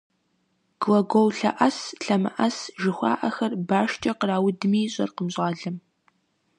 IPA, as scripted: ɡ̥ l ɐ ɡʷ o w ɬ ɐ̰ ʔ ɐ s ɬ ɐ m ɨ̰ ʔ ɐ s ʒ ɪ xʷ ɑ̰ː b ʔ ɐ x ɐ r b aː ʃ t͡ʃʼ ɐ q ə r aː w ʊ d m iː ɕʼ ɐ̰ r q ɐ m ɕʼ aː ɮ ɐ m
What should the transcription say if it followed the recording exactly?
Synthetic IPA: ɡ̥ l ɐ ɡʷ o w ɬ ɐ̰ ʔ ɐ s ɬ ɐ m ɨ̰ ʔ ɐ s ʒ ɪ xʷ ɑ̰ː ʔ ɐ x ɐ r b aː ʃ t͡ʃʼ ɐ q ə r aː w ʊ d m iː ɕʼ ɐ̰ r q ə m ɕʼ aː ɮ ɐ m

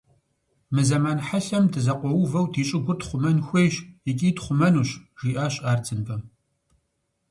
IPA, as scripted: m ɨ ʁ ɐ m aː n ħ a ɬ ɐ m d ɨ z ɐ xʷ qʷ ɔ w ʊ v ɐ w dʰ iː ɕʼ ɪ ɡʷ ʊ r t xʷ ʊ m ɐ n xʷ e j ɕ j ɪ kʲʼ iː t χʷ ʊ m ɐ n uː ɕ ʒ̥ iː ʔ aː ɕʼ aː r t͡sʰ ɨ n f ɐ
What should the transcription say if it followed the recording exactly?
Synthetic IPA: m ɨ z ɐ m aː n ħ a ɬ ɐ m d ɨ z ɐ qʷ ɔ w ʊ v ɐ w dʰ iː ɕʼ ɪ ɡʷ ʊ r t χʷ ʊ m ɐ n xʷ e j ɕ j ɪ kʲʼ iː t χʷ ʊ m ɐ n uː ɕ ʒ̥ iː ʔ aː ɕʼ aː r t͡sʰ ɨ n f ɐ

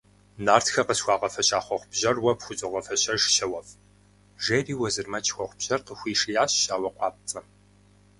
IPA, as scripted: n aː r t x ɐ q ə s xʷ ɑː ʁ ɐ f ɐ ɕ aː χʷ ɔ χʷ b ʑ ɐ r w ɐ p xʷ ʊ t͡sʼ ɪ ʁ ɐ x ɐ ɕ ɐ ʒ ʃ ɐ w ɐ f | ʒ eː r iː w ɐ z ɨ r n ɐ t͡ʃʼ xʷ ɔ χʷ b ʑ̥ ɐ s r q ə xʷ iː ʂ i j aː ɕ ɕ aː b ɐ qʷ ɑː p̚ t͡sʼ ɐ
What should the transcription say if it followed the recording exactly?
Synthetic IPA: n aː r t x ɐ q ə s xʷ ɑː ʁ ɐ f ɐ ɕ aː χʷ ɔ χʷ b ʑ ɐ r w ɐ p xʷ ʊ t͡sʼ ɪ ʁ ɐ f ɐ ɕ ɐ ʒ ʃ ɐ w ɐ f | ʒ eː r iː w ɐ z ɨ r m ɐ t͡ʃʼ xʷ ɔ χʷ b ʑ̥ ɐ r q ə xʷ iː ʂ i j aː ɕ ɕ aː w ɐ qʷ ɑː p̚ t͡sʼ ɐ

